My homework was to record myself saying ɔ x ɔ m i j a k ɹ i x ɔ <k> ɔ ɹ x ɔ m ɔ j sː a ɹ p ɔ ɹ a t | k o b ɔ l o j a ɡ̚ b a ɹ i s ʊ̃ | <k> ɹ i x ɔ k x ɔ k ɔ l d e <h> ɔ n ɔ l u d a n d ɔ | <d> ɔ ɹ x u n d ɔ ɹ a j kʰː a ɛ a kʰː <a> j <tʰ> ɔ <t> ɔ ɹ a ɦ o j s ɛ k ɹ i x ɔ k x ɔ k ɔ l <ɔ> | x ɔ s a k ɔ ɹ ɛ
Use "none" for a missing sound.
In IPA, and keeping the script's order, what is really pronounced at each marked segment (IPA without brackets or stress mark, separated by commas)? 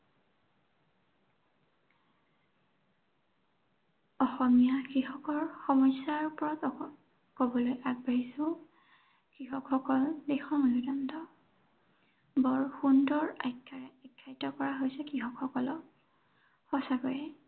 k, k, x, b, a, t, k, ɔ